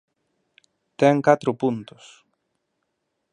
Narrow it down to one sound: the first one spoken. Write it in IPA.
t̪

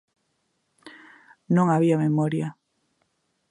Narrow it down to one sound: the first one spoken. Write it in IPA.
n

